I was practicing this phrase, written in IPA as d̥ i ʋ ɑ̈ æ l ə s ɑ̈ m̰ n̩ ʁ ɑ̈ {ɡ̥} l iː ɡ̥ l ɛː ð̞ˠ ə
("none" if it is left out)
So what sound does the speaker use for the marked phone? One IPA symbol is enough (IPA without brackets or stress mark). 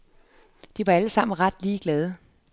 d̥